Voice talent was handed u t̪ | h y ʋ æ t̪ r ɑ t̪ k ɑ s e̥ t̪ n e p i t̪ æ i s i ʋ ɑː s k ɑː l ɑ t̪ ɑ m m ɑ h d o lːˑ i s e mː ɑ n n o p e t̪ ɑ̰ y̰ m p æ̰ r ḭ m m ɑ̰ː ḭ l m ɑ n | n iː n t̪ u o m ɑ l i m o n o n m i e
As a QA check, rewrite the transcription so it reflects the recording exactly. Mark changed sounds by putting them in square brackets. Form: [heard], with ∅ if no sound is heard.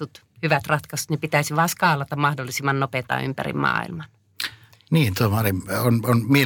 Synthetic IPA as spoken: u t̪ | h y ʋ æ t̪ r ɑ t̪ k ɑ s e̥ t̪ n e p i t̪ æ i s i ʋ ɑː s k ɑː l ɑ t̪ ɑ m m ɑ h d o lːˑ i s [i] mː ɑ n n o p e t̪ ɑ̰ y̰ m p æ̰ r ḭ m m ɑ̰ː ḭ l m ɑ n | n iː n t̪ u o m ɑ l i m o n o n m i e